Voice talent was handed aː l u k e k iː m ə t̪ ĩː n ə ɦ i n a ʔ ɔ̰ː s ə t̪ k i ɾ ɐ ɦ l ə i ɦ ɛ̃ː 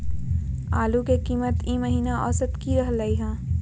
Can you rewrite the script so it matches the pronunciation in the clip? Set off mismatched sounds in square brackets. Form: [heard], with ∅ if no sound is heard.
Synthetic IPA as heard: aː l u k e k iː m ə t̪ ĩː [m] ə ɦ [iː] n a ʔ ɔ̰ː s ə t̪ k i ɾ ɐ ɦ l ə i ɦ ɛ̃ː

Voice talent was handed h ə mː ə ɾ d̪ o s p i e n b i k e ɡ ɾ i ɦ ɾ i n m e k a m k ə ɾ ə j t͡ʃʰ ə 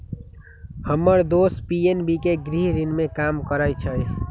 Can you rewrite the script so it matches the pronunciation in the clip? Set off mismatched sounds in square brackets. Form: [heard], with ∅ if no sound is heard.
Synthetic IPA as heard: h ə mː ə ɾ d̪ o s p i e n b i k e ɡ ɾ i ɦ ɾ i n m e k a m k ə ɾ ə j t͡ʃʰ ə

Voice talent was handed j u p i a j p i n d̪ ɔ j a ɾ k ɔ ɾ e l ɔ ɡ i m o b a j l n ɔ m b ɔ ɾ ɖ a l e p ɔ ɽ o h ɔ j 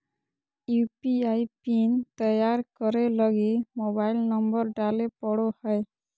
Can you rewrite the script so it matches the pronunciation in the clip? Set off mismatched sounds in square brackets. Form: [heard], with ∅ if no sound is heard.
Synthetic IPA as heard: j u p i a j p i n [t̪] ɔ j a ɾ k ɔ ɾ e l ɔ ɡ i m o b a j l n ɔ m b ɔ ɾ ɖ a l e p ɔ ɽ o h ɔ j

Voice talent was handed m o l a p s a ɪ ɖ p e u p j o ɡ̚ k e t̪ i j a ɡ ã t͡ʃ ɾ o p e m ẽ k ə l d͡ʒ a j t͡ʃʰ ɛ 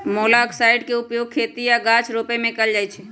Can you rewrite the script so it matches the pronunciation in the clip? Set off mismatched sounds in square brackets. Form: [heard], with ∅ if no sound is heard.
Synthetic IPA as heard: m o l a [k] s a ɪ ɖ [k] e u p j o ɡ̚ [kʰ] e t̪ i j a ɡ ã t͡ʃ ɾ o p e m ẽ k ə l d͡ʒ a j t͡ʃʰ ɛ

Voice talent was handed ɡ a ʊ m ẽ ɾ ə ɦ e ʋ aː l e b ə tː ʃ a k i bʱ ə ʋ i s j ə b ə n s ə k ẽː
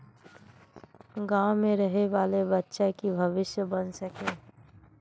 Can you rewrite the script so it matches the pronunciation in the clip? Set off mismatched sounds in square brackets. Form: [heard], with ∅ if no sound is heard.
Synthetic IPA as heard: ɡ a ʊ m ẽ ɾ ə ɦ e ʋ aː l e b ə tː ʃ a k i bʱ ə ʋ [ɪ] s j ə b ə n s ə k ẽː

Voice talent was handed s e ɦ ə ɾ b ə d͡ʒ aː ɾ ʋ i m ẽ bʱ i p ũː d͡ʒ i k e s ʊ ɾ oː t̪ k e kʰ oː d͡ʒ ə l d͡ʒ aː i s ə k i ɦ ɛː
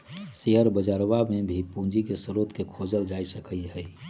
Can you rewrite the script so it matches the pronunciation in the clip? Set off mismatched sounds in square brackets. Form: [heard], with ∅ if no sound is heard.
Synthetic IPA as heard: s e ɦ ə ɾ b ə d͡ʒ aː ɾ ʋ [a] m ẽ bʱ i p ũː d͡ʒ i k e s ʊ ɾ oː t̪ k e kʰ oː d͡ʒ ə l d͡ʒ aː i s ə k i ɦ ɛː

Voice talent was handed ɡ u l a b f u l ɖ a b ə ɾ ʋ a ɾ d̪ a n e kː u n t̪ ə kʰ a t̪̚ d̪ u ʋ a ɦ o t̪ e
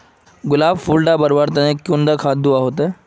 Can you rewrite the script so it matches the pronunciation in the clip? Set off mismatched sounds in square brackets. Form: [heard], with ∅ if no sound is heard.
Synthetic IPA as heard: ɡ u l a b f u l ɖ a b ə ɾ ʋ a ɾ [t̪] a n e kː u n [d̪] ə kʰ a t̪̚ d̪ u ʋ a ɦ o t̪ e

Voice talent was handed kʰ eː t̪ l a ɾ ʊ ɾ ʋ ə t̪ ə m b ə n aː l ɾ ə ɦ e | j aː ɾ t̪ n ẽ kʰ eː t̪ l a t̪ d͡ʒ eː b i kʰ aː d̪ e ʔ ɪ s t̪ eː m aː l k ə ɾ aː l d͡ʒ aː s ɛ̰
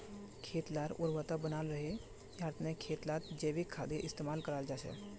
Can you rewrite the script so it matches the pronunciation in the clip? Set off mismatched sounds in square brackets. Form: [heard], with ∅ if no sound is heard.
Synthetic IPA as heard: kʰ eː t̪ l a ɾ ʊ ɾ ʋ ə t̪ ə [∅] b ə n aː l ɾ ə ɦ e | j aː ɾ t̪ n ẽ kʰ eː t̪ l a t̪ d͡ʒ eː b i kʰ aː d̪ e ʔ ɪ s t̪ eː m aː l k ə ɾ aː l d͡ʒ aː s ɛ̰

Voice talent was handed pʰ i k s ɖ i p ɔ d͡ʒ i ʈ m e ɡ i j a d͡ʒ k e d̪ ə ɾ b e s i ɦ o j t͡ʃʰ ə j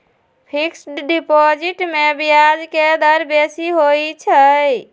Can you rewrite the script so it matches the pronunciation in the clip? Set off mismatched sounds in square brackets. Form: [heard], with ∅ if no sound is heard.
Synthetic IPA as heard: pʰ i k s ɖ i p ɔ d͡ʒ i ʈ m e [b] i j a d͡ʒ k e d̪ ə ɾ b e s i ɦ o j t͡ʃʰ ə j

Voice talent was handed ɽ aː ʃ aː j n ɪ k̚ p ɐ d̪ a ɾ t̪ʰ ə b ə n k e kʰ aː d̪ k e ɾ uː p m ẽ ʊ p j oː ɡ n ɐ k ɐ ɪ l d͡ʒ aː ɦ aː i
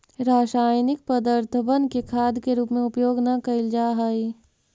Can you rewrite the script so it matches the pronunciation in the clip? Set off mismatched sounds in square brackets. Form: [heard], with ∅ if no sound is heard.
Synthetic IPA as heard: [ɾ] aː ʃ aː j n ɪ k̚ p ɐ d̪ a ɾ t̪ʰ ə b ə n k e kʰ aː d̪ k e ɾ uː p m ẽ ʊ p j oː ɡ n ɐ k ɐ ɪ l d͡ʒ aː ɦ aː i

